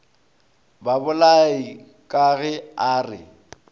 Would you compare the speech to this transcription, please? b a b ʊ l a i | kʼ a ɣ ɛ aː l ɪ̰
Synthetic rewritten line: b a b ʊ l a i | kʼ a ɣ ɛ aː r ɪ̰